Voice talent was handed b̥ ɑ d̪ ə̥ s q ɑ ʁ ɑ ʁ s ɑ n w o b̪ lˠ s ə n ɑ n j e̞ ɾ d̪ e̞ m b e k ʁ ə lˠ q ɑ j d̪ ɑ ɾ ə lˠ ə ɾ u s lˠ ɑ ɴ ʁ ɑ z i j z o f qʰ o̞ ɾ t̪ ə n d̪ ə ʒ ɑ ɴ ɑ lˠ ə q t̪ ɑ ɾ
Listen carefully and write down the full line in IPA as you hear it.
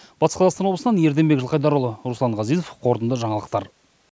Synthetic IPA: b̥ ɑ t̪ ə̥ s q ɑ z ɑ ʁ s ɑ n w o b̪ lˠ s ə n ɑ n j e̞ ɾ d̪ e̞ m b e k ʒ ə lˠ q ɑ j d̪ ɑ ɾ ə lˠ ə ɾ u s lˠ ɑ ɴ ʁ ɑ z i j z o f qʰ o̞ ɾ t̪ ə n d̪ ə ʒ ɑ ɴ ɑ lˠ ə q t̪ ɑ ɾ